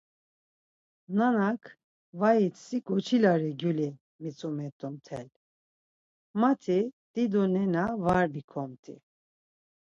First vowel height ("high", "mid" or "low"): low